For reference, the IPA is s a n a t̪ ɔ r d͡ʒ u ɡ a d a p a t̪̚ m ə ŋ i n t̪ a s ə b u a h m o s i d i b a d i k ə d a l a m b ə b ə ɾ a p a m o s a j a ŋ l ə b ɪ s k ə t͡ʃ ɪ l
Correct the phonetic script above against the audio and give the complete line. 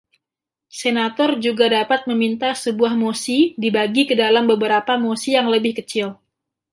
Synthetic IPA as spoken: s e n a t̪ ɔ r d͡ʒ u ɡ a d a p a t̪̚ m ə m i n t̪ a s ə b u a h m o s i d i b a ɡ i k ə d a l a m b ə b ə ɾ a p a m o s i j a ŋ l ə b ɪ h k ə t͡ʃ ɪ l